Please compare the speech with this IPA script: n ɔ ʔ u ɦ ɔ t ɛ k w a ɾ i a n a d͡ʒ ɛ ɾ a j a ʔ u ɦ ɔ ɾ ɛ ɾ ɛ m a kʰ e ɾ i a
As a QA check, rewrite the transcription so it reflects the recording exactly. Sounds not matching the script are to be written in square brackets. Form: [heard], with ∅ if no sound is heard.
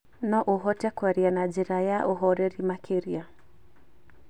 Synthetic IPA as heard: n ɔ ʔ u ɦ ɔ t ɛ k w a ɾ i a n a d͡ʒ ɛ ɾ a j a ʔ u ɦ ɔ ɾ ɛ ɾ [i] m a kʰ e ɾ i a